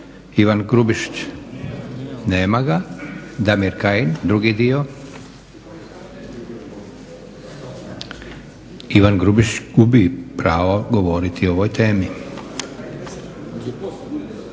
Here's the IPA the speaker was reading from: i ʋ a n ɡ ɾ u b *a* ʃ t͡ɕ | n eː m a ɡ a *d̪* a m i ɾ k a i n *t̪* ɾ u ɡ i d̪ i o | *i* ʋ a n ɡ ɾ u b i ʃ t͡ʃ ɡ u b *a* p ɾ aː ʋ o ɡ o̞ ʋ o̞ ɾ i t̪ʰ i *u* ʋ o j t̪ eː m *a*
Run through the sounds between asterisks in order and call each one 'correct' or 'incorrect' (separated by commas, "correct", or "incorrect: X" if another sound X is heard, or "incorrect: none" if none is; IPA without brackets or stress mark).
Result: incorrect: i, correct, incorrect: d̪, correct, incorrect: i, incorrect: o, incorrect: i